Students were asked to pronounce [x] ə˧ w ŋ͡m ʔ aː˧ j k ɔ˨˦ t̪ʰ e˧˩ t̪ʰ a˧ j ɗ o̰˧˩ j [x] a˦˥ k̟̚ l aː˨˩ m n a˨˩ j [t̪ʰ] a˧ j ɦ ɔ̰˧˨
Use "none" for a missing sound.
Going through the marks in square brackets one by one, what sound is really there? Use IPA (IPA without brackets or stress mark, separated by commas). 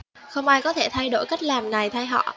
x, k, t̪ʰ